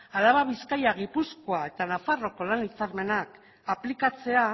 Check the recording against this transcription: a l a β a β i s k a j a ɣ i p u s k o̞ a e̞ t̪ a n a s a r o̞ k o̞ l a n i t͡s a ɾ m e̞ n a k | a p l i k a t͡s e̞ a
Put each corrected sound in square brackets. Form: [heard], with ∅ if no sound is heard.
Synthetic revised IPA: a l a β a β i s k a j a ɣ i p u s k o̞ a e̞ t̪ a n a [f] a r o̞ k o̞ l a n i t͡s a ɾ m e̞ n a k | a p l i k a t͡s e̞ a